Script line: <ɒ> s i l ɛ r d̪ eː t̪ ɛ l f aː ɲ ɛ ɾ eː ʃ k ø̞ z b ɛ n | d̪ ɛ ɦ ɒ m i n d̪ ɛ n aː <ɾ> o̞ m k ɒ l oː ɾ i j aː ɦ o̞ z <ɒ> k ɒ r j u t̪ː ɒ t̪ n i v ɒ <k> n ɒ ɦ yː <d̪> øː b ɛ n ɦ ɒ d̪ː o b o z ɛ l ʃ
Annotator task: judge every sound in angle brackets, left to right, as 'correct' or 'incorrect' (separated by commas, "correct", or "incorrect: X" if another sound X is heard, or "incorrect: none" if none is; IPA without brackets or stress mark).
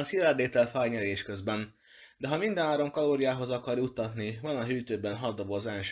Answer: correct, correct, correct, incorrect: none, incorrect: t̪